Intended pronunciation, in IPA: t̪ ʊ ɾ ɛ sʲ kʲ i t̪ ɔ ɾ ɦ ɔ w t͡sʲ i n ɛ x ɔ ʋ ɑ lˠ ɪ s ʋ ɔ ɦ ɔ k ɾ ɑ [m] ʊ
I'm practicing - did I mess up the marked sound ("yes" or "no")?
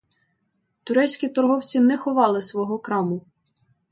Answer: no